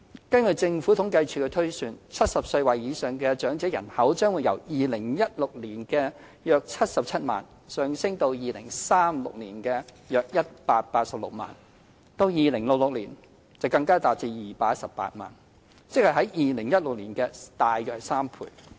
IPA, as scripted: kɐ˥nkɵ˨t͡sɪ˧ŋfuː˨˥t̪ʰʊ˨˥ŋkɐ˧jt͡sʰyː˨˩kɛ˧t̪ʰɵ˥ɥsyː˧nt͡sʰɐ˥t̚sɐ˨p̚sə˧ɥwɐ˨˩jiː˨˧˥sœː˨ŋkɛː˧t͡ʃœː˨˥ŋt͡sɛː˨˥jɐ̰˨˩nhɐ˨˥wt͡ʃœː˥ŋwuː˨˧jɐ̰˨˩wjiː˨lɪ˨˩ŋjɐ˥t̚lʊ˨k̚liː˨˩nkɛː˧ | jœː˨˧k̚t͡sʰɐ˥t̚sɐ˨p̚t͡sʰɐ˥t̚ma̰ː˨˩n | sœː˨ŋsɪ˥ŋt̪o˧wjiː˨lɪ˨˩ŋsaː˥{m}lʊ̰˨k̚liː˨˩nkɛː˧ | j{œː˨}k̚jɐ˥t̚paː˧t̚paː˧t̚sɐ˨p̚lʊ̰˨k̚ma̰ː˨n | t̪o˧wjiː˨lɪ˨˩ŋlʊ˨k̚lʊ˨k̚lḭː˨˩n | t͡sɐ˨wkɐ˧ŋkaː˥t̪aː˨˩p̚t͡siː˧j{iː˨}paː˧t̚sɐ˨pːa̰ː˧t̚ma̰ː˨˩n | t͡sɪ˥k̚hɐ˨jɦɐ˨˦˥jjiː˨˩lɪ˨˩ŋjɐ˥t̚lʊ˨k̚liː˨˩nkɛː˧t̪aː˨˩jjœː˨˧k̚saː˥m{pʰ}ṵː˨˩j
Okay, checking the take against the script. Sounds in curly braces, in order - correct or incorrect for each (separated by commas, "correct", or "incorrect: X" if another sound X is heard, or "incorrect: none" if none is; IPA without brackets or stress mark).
correct, correct, correct, correct